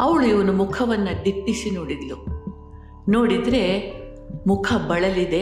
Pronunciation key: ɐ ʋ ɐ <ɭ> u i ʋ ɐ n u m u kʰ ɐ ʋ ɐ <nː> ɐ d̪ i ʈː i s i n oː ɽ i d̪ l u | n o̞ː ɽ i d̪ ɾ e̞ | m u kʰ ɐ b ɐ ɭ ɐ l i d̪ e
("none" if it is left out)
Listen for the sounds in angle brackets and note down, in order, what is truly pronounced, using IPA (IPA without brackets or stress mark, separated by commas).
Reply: ɭ, nː